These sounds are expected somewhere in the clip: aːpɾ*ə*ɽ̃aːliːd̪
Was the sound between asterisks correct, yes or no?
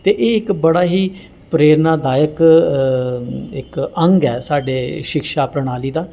yes